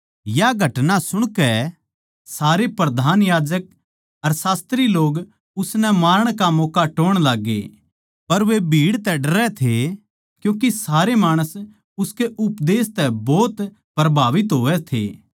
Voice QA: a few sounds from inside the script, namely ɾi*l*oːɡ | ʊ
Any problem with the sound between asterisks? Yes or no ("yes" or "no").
no